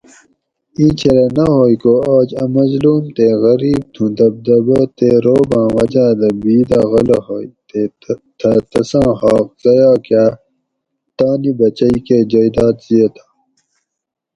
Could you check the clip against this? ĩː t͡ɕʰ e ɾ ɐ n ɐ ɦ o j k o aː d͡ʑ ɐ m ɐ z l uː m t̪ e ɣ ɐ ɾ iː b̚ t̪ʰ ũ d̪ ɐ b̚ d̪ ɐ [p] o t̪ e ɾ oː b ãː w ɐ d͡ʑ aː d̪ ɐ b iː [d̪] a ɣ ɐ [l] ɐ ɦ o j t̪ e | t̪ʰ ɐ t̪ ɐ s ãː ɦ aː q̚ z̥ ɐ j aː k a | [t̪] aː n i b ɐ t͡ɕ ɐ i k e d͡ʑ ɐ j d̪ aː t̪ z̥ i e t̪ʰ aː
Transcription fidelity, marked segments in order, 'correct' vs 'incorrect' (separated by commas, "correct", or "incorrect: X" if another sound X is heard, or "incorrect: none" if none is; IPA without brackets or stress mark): incorrect: b, correct, correct, correct